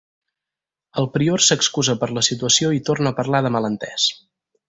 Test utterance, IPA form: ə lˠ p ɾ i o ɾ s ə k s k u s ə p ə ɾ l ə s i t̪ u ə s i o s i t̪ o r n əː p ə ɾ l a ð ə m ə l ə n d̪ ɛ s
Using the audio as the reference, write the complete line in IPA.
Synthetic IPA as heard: ə lˠ p ɾ i o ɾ s ə k s k u z ə p ə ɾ l ə s i t̪ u ə s i o i t̪ o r n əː p ə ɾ l a ð ə m ə l ə n t̪ ɛ s